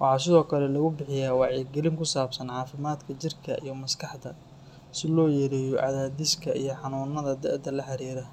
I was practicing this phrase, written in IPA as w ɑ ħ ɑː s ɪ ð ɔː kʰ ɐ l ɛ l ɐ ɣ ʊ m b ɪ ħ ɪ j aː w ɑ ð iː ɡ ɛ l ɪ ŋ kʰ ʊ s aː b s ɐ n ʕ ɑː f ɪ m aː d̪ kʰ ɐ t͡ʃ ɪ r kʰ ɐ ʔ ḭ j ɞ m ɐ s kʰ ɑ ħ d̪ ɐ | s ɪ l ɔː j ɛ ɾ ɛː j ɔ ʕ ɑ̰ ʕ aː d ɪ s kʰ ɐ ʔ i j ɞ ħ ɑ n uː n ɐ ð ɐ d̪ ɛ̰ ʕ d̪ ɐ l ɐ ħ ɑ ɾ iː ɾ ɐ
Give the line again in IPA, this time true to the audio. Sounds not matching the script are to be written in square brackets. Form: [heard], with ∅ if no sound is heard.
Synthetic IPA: w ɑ ħ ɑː s ɪ ð ɔː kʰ ɐ l ɛ l ɐ ɣ ʊ [∅] b ɪ ħ ɪ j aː w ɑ [ʕ] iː ɡ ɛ l ɪ ŋ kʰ ʊ s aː b s ɐ n ʕ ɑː f ɪ m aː d̪ kʰ ɐ t͡ʃ ɪ r kʰ ɐ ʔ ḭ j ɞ m ɐ s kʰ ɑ ħ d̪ ɐ | s ɪ l ɔː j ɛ ɾ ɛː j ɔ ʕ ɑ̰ [ð] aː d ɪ s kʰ ɐ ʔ i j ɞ ħ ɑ n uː n ɐ ð ɐ d̪ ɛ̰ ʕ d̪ ɐ l ɐ ħ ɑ ɾ iː ɾ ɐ